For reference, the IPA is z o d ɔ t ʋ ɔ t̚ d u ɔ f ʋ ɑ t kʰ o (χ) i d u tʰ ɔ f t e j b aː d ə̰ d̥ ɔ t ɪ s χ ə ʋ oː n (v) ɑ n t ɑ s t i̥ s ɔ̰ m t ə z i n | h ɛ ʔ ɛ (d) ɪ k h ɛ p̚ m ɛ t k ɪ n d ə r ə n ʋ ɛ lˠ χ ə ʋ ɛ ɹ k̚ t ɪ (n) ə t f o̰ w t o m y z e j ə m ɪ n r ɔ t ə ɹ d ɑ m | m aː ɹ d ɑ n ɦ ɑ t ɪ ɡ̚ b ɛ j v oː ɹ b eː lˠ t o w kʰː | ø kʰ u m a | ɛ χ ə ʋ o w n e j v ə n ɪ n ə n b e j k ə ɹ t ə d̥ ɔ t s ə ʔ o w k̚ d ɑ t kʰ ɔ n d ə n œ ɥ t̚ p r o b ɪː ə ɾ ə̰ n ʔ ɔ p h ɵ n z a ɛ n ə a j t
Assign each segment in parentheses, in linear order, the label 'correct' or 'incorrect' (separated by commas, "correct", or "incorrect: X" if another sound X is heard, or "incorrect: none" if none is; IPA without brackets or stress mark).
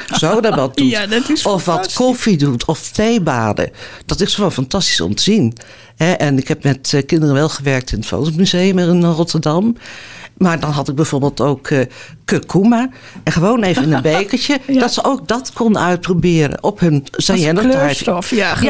incorrect: f, incorrect: f, incorrect: n, correct